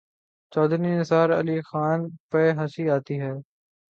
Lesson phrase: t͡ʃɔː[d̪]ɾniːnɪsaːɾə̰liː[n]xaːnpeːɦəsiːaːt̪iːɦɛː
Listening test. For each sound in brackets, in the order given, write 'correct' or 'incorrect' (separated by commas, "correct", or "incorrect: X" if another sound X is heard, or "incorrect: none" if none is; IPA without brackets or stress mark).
correct, incorrect: none